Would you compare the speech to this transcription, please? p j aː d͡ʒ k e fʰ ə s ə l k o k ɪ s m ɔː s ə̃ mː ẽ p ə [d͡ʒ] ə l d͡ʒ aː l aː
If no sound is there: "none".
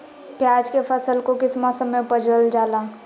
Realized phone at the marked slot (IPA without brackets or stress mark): d͡ʒ